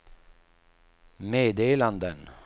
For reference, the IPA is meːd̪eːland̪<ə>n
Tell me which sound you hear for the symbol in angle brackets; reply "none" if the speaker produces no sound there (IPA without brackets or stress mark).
ə